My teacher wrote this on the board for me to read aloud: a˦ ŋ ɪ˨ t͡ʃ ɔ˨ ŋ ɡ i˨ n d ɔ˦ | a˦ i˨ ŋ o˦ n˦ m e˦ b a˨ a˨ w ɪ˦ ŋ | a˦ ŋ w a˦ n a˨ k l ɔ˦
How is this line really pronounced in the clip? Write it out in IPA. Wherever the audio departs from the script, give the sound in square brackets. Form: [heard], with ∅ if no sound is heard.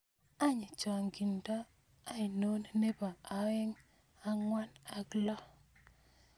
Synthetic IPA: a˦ [ɲ] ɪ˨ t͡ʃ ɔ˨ ŋ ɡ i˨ n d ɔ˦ | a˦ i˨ [n] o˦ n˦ [n] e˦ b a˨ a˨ w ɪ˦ ŋ | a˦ ŋ w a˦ n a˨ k l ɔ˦